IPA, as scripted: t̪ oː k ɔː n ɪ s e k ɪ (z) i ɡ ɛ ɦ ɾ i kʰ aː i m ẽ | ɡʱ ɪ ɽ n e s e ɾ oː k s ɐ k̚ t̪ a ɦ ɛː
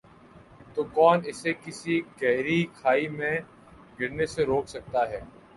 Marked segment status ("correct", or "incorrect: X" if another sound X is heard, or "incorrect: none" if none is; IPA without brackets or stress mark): incorrect: s